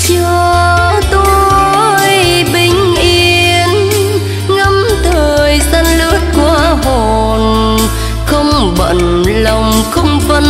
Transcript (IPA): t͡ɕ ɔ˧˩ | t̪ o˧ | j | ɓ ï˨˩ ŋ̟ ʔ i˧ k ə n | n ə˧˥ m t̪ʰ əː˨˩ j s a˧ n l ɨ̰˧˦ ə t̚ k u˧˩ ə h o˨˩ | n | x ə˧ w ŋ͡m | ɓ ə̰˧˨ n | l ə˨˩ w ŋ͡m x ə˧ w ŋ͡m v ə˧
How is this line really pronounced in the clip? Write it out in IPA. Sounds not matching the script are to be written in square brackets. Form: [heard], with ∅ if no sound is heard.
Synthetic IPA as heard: t͡ɕ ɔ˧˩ | t̪ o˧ | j | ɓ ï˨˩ ŋ̟ ʔ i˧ [∅] ə n | [ŋ] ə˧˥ m t̪ʰ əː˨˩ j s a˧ n l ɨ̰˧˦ ə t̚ k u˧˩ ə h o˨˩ | n | x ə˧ w ŋ͡m | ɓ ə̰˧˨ n | l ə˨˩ w ŋ͡m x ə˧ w ŋ͡m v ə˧